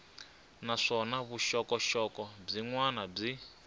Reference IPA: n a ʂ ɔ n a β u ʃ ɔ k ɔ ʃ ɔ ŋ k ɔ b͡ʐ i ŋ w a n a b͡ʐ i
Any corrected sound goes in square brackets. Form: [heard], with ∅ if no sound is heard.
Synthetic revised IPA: n a ʂ ɔ n a β u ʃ ɔ k ɔ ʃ ɔ [∅] k ɔ b͡ʐ i ŋ w a n a b͡ʐ i